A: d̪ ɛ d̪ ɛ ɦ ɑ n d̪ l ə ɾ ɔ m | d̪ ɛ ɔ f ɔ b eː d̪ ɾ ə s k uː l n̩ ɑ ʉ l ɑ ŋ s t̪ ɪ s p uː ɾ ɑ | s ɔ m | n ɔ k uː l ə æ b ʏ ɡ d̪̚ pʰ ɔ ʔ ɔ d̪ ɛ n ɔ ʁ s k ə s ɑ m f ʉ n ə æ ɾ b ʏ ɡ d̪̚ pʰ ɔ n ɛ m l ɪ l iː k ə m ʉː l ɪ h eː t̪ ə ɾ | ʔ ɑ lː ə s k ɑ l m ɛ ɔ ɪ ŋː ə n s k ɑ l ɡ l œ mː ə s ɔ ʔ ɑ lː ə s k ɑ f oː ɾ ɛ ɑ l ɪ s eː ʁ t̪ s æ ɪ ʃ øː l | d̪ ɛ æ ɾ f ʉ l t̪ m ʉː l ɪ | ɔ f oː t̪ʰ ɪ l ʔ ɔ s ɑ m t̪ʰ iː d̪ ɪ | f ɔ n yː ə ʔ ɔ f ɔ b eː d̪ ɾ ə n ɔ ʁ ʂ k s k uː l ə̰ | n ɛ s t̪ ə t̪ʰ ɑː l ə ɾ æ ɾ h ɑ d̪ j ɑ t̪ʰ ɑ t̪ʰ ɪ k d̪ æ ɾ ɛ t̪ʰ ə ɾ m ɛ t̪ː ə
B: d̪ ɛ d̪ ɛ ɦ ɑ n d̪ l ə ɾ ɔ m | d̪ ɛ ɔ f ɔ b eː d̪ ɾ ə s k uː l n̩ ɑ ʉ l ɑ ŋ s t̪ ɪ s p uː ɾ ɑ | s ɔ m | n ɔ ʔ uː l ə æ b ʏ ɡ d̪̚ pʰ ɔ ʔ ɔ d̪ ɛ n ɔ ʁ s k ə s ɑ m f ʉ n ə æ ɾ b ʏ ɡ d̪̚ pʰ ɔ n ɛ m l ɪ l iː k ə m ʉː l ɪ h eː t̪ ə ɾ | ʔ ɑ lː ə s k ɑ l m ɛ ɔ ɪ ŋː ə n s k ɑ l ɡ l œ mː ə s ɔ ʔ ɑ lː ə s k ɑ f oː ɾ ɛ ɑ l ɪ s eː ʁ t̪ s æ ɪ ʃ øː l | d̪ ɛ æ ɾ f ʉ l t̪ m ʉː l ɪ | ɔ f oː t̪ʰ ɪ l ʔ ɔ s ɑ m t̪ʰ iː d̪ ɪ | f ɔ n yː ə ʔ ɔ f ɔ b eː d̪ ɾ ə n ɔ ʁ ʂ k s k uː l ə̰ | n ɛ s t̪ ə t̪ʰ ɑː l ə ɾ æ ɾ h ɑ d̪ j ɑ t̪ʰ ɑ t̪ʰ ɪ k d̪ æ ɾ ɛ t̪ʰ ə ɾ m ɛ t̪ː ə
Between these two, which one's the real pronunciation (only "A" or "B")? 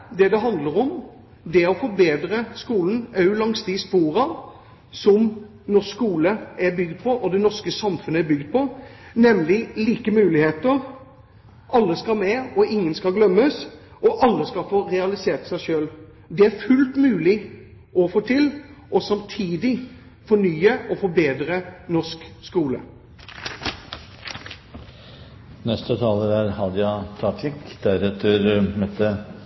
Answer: A